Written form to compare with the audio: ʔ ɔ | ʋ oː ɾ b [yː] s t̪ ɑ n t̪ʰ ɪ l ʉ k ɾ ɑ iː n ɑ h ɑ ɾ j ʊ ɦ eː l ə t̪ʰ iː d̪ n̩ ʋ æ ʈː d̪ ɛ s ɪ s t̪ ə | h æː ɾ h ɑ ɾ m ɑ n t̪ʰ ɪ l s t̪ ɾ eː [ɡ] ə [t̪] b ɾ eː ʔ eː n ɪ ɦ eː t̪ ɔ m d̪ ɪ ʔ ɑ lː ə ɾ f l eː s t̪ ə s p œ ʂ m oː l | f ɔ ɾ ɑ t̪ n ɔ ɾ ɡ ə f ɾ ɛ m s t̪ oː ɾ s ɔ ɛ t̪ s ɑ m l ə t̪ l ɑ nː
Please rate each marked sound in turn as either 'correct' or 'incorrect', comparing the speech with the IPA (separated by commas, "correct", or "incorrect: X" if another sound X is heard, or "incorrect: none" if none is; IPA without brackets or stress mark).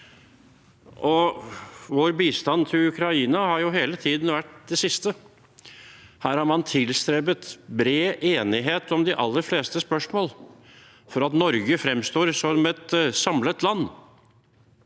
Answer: incorrect: iː, incorrect: b, correct